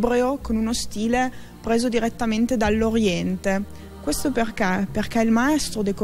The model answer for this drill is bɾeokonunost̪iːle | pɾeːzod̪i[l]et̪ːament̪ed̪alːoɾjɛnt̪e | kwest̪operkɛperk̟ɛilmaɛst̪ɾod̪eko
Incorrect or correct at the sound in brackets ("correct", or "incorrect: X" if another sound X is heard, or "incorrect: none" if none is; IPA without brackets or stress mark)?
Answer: incorrect: ɾ